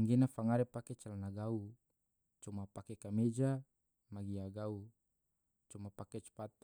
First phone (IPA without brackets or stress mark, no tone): ŋ